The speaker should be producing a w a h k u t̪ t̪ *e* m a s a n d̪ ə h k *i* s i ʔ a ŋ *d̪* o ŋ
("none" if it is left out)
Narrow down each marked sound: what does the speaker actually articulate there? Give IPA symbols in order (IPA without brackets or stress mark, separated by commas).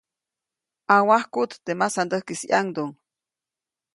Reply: e, i, d̪